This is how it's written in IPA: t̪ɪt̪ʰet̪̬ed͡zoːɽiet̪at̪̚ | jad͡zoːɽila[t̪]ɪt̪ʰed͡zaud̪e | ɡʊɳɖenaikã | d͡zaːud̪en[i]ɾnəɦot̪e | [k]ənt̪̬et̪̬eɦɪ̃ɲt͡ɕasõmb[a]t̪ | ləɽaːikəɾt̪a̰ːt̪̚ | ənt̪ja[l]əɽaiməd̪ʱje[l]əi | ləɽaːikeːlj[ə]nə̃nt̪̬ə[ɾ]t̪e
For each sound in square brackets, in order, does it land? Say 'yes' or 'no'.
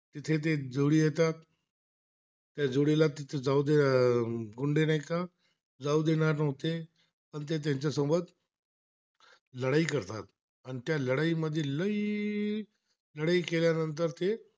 yes, no, no, no, yes, yes, no, yes

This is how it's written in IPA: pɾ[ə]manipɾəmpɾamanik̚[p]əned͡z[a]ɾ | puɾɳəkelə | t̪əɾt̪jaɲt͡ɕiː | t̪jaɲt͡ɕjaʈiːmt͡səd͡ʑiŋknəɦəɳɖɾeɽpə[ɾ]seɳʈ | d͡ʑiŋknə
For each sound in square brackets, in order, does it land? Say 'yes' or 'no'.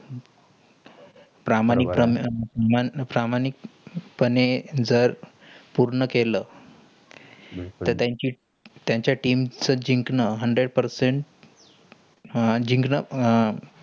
no, yes, no, yes

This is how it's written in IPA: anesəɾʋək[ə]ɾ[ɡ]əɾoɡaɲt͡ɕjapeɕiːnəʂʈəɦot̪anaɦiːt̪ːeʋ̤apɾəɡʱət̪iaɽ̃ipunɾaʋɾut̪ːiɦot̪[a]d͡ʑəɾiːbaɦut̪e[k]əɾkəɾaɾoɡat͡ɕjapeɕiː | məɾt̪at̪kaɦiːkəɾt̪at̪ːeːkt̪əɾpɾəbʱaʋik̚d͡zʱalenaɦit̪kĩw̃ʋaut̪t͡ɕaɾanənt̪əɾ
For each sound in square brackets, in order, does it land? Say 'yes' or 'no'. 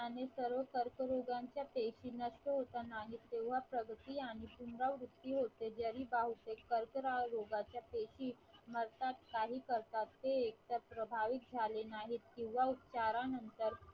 yes, no, no, yes

